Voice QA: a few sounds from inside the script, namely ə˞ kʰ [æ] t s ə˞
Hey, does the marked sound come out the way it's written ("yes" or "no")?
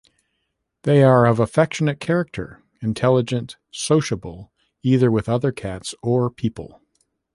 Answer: yes